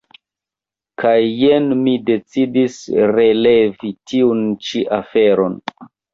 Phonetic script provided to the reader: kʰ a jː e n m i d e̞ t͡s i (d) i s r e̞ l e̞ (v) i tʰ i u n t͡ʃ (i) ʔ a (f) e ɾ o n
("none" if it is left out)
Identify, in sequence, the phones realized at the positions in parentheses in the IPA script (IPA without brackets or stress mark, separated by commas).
d, v, i, f